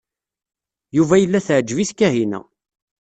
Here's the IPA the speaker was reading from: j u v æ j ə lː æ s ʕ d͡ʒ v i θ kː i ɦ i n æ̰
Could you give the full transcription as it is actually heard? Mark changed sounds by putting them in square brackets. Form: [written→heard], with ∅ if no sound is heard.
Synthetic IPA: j u v æ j ə lː æ [s→θ] ʕ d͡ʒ v i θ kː [i→æ] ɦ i n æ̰